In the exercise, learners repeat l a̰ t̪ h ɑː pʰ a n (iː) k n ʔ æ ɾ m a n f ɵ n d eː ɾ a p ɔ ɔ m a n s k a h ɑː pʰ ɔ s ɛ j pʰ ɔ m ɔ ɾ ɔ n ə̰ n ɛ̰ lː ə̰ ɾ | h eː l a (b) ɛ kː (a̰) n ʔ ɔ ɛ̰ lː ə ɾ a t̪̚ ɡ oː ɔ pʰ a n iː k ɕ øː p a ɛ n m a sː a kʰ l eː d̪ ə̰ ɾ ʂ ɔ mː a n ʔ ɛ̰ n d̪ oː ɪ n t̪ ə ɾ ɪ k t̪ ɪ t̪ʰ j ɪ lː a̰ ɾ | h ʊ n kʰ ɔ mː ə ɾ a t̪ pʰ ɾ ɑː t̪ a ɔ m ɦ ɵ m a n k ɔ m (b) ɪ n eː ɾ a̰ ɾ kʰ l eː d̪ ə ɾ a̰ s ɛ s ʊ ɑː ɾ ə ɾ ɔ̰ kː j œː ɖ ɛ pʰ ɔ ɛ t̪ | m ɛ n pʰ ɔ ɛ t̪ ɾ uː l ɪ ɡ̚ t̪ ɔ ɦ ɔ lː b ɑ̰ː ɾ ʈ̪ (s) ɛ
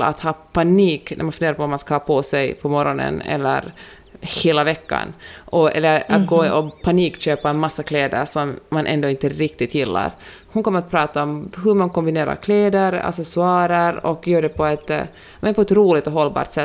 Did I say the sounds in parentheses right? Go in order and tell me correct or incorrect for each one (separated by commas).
correct, incorrect, correct, correct, correct